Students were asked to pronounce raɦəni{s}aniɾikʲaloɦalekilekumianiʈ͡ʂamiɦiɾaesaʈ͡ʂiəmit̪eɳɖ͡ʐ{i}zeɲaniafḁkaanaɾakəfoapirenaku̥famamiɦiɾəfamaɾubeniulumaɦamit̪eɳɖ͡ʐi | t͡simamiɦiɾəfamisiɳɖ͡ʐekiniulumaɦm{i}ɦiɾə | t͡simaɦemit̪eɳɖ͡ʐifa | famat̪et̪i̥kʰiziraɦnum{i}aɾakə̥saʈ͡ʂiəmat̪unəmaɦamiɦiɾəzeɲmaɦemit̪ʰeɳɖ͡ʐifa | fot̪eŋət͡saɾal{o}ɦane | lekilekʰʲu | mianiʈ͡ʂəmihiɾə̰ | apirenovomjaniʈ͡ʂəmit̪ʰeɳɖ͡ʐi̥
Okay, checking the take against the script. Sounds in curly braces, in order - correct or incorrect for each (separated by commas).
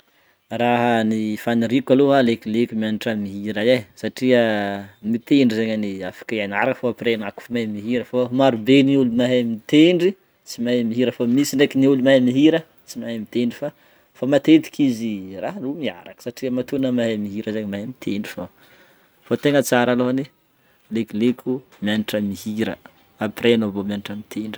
incorrect, correct, correct, correct, correct